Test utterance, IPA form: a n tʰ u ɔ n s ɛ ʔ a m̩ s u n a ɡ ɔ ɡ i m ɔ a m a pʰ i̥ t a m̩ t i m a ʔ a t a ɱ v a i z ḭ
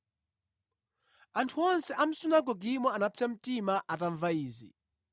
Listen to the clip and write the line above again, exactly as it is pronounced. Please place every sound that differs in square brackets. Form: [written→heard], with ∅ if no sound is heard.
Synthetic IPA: a n tʰ u ɔ n s ɛ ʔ a m̩ s u n a ɡ ɔ ɡ i m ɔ a [m→n] a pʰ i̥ t a m̩ t i m a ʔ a t a ɱ v a [i→iː] z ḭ